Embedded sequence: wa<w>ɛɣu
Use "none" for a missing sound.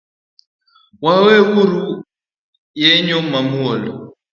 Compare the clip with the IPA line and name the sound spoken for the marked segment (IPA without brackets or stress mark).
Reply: w